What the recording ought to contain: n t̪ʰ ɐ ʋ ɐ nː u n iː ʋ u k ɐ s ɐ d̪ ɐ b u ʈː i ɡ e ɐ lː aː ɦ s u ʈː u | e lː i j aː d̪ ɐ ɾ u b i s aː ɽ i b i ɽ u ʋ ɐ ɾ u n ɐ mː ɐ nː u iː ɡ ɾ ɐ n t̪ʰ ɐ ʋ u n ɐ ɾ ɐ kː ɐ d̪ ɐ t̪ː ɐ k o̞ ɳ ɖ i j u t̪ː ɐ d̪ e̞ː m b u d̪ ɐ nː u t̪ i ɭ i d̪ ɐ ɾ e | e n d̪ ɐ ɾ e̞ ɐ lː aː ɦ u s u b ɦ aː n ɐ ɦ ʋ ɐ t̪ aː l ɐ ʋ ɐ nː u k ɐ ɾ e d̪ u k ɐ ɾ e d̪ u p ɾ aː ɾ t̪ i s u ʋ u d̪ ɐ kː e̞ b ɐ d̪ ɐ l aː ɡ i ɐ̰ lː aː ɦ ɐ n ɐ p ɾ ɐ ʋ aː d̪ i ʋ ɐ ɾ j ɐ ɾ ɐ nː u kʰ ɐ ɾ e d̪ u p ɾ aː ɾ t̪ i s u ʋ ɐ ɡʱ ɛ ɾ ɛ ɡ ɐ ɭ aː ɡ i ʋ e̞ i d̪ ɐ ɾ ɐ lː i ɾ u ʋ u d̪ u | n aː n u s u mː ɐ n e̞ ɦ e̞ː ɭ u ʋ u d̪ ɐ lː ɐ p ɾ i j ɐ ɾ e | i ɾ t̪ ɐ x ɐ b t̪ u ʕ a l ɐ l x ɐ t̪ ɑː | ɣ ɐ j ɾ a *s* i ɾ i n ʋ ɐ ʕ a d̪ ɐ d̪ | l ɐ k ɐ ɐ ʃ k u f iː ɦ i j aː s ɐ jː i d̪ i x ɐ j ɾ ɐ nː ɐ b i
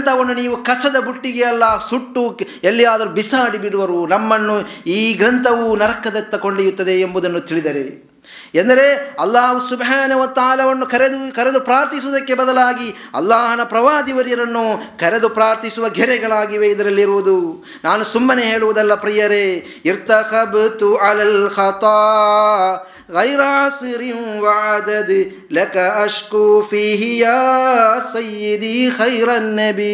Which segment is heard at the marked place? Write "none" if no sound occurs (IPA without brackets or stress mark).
s